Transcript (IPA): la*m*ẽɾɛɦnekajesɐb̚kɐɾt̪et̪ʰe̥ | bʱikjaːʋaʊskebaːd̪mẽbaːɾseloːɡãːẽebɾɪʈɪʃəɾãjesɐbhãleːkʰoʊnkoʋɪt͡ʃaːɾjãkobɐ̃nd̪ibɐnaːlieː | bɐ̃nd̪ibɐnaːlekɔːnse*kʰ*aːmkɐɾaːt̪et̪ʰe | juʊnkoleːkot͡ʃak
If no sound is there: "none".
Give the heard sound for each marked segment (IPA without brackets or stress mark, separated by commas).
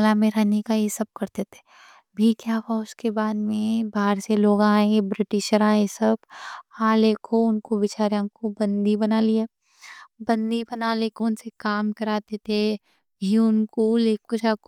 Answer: m, k